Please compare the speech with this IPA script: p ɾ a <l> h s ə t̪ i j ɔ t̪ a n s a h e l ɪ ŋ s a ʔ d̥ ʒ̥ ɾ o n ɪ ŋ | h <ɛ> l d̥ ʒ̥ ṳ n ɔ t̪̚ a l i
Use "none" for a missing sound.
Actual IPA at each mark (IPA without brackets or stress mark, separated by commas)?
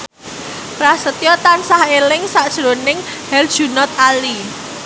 none, ɛ